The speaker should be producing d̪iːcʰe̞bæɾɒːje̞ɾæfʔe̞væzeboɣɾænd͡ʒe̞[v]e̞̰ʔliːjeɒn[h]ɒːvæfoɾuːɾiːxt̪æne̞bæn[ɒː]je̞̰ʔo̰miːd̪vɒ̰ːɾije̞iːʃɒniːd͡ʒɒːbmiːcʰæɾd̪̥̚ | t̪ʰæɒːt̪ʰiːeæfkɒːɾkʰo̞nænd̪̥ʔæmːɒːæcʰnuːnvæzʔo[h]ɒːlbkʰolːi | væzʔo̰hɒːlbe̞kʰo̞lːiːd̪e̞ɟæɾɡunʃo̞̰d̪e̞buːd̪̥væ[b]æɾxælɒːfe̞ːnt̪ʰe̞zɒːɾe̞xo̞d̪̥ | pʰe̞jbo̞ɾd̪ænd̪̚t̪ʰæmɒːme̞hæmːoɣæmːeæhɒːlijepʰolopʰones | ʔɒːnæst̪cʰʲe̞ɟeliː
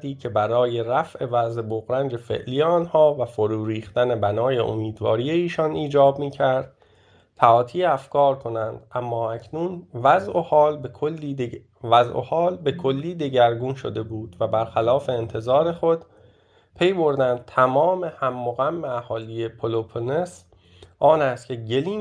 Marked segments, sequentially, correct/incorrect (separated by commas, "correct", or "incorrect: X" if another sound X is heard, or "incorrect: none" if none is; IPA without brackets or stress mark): incorrect: f, correct, correct, correct, correct